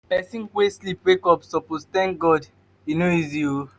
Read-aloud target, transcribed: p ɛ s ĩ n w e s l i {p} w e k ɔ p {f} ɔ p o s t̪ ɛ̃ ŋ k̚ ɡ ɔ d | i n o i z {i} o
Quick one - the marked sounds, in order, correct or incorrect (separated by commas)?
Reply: correct, incorrect, correct